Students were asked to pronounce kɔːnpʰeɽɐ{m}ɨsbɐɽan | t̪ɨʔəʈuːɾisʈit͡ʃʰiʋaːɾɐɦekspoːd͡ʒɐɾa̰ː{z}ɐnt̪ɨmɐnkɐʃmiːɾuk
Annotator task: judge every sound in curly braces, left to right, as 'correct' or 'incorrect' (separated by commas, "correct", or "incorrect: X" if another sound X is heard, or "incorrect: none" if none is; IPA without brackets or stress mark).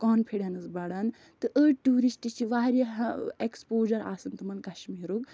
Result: incorrect: n, incorrect: s